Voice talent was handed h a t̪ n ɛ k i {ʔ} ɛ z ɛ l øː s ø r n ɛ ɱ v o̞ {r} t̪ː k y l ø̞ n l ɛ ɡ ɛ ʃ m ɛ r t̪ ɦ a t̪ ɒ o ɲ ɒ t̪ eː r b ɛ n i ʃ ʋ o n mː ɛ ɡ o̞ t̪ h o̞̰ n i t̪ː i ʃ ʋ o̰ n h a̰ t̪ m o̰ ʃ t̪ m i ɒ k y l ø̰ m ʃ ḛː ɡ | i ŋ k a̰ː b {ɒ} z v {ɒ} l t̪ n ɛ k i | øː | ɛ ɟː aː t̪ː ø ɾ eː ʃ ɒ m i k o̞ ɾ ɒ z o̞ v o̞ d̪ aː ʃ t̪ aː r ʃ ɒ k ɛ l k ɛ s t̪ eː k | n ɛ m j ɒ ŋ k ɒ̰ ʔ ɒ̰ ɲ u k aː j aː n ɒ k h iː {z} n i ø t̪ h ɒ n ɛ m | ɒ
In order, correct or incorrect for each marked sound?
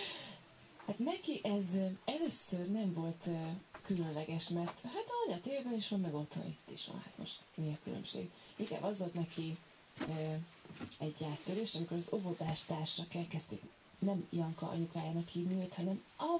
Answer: correct, incorrect, correct, incorrect, incorrect

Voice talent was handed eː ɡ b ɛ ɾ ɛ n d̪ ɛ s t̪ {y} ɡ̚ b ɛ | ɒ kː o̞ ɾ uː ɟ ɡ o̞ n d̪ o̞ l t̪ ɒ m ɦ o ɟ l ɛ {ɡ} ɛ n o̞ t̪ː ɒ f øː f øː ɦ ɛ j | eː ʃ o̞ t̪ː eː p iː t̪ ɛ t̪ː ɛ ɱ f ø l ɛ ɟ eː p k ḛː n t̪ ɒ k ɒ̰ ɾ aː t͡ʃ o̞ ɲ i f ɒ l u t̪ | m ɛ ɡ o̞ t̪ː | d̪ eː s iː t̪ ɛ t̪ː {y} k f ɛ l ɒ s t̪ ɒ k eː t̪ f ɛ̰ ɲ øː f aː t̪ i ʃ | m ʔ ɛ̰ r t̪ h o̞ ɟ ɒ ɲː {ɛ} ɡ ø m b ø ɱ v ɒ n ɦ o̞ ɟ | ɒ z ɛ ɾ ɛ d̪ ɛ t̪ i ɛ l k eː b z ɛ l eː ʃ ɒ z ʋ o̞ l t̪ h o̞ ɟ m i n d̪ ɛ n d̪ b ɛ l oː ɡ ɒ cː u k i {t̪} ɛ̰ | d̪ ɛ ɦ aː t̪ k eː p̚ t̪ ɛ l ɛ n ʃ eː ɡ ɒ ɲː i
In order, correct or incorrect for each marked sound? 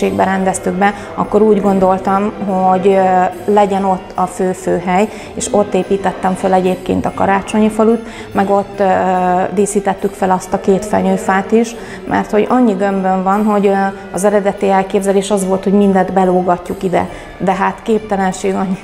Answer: correct, incorrect, correct, incorrect, incorrect

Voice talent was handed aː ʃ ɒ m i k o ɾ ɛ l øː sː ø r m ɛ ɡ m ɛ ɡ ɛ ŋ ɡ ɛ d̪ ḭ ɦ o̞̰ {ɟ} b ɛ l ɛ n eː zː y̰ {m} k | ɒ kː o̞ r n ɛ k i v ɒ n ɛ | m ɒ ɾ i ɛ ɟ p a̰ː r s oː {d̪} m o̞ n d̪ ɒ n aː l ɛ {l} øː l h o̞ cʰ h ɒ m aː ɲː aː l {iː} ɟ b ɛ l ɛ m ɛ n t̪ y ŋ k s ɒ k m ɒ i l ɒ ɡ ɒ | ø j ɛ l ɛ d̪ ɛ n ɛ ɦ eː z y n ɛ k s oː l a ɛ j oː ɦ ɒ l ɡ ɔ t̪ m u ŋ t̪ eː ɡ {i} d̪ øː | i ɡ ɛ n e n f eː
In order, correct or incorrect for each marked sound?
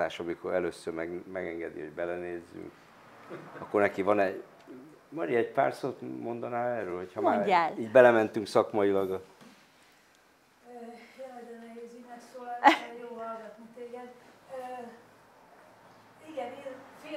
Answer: correct, incorrect, incorrect, incorrect, correct, incorrect

